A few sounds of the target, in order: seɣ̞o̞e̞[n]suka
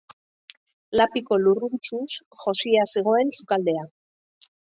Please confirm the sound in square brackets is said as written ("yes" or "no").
yes